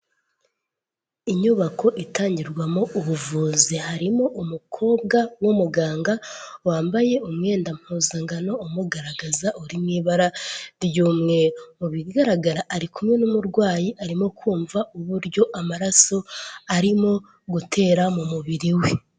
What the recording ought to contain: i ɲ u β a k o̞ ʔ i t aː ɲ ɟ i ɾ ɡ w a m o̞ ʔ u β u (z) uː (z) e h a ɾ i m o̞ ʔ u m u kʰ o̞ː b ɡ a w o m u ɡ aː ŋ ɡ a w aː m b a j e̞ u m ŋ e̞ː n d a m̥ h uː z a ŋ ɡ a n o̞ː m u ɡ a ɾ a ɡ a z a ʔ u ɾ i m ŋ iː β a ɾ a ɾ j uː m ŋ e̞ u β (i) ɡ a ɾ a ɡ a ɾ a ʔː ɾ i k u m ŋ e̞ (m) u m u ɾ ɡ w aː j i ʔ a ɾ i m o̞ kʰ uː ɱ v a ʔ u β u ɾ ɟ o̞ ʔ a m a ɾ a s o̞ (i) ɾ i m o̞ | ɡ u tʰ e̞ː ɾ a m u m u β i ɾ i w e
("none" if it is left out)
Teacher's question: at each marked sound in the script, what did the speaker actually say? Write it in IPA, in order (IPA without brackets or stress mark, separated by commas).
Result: v, z, i, n, a